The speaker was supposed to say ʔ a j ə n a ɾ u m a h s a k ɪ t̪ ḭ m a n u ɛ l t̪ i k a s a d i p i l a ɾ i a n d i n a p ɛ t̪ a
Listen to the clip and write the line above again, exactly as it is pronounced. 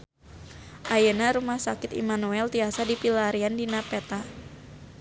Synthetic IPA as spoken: ʔ a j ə n a ɾ u m a h s a k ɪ t̪ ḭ m a n u ɛ l t̪ i a s a d i p i l a ɾ i a n d i n a p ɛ t̪ a

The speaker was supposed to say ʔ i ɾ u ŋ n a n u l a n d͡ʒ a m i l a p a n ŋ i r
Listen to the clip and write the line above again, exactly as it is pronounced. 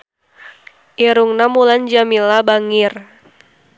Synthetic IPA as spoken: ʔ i ɾ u ŋ n a m u l a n d͡ʒ a m i l a b a ŋ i r

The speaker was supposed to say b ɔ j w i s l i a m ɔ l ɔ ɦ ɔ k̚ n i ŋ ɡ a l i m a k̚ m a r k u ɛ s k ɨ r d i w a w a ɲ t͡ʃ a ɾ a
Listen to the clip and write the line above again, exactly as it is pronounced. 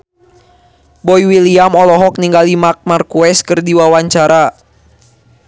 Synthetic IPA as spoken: b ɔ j w i l i a m ɔ l ɔ ɦ ɔ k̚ n i ŋ ɡ a l i m a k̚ m a r k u ɛ s k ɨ r d i w a w a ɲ t͡ʃ a ɾ a

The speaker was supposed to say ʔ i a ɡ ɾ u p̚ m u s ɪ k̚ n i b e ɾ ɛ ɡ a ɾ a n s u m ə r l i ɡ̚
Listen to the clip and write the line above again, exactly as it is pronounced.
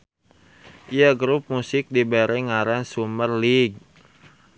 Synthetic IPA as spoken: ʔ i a ɡ ɾ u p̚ m u s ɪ k̚ d i b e ɾ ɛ ŋ a ɾ a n s u m ə r l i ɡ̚

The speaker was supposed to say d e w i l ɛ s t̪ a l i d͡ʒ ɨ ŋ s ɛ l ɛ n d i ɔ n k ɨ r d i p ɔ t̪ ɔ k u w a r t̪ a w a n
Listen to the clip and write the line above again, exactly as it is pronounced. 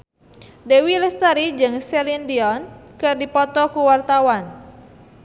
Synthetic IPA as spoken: d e w i l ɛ s t̪ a ɾ i d͡ʒ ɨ ŋ s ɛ l i n d i ɔ n k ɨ r d i p ɔ t̪ ɔ k u w a r t̪ a w a n

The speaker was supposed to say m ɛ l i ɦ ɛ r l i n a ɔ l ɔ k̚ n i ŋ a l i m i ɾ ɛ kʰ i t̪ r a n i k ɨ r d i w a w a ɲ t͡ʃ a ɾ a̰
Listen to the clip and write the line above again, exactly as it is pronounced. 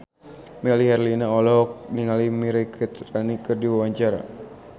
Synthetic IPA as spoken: m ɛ l i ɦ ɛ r l i n a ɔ l ɔ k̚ n i ŋ a l i m i ɾ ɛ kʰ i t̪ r a n i k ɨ r d i w a w a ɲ t͡ʃ a ɾ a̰

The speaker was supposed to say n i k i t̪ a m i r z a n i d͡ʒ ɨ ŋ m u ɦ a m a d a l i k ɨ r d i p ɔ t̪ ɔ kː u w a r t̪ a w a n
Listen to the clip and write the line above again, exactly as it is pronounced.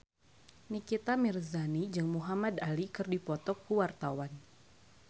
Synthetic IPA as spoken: n i k i t̪ a m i r z a n i d͡ʒ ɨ ŋ m u ɦ a m a d a l i k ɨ r d i p ɔ t̪ ɔ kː u w a r t̪ a w a n

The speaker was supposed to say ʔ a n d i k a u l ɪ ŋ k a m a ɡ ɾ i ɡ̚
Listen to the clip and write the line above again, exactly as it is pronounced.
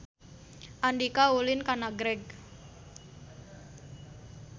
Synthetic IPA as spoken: ʔ a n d i k a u l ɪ n k a n a ɡ ɾ ɛ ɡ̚

